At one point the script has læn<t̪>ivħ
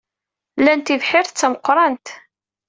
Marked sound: correct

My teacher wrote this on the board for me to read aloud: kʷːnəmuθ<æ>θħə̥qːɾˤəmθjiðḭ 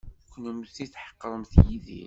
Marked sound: incorrect: i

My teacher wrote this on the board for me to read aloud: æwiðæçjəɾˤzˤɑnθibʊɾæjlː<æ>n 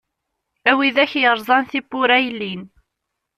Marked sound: incorrect: i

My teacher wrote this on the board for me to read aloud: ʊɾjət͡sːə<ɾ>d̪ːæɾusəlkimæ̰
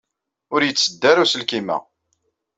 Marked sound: incorrect: none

